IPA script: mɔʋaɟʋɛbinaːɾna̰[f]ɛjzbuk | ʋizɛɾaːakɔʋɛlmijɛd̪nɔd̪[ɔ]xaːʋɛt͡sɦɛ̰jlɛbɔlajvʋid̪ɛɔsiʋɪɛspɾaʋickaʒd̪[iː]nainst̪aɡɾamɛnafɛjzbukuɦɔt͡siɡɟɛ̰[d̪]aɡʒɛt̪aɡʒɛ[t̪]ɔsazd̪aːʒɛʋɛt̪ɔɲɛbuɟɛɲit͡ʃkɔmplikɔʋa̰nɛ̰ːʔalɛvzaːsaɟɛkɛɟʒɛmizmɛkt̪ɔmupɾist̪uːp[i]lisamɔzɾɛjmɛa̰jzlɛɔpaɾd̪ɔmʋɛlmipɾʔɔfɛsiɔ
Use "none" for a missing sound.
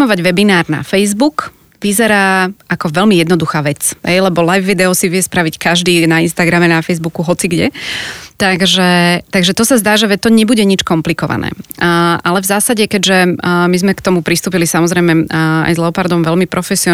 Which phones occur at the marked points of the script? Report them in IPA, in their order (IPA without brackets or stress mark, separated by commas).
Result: f, u, iː, t̪, t̪, i